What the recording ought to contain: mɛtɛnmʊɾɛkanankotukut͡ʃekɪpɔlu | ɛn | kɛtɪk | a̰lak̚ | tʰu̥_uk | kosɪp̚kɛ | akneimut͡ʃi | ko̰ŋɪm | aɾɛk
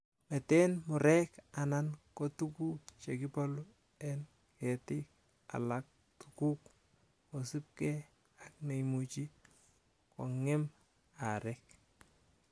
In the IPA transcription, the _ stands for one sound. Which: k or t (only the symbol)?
k